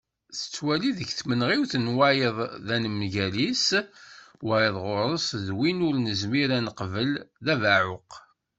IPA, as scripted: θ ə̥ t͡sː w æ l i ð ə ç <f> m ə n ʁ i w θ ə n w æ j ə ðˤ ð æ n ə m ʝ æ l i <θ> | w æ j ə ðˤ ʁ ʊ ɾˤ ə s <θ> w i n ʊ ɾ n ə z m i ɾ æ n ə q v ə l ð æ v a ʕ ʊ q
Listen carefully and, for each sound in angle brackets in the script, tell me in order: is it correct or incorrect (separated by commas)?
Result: incorrect, incorrect, incorrect